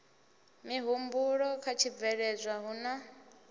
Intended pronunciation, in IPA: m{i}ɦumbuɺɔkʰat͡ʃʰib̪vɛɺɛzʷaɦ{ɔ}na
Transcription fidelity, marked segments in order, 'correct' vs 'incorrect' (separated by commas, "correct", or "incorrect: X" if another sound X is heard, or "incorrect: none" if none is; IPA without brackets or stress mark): correct, incorrect: u